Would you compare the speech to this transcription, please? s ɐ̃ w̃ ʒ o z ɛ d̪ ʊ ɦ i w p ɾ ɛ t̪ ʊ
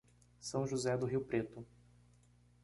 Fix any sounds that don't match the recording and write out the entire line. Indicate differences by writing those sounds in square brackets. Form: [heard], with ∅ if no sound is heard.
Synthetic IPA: s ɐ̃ w̃ ʒ [u] z ɛ d̪ ʊ ɦ i w p ɾ [e] t̪ ʊ

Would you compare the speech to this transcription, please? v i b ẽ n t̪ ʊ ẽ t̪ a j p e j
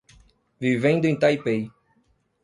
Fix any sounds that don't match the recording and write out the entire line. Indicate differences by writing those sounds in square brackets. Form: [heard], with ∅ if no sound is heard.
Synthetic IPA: v i [v] ẽ n [d̪] ʊ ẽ t̪ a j p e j

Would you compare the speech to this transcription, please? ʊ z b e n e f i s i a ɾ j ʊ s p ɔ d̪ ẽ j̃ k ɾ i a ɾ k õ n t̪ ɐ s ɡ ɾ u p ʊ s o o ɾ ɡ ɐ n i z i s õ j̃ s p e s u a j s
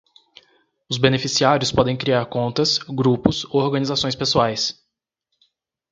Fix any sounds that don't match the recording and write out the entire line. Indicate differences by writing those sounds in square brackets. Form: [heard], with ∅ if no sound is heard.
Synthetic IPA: ʊ z b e n e f i s i a ɾ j ʊ s p ɔ d̪ ẽ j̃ k ɾ i a ɾ k õ n t̪ ɐ s ɡ ɾ u p ʊ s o o ɾ ɡ ɐ n i z [a] s õ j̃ s p e s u a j s

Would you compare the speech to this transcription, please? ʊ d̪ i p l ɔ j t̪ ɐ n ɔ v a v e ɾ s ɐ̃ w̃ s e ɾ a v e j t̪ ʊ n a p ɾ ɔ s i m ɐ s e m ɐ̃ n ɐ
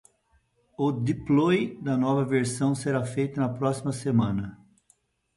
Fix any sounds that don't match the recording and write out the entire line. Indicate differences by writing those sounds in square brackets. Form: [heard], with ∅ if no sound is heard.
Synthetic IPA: ʊ d̪ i p l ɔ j [d̪] ɐ n ɔ v [ɐ] v e ɾ s ɐ̃ w̃ s e ɾ a [f] e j t̪ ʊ n [ɐ] p ɾ ɔ s i m ɐ s e m ɐ̃ n ɐ

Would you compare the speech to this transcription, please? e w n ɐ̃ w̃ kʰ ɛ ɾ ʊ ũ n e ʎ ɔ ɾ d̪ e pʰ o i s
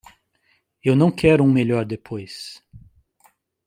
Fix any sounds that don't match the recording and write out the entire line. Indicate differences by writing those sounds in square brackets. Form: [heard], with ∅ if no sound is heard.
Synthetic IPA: e w n ɐ̃ w̃ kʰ ɛ ɾ ʊ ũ [m] e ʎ ɔ ɾ d̪ e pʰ o [j] s

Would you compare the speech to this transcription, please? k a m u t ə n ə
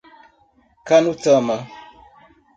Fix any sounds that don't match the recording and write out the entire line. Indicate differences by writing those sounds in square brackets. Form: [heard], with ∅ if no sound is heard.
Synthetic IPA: k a [n] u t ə [m] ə

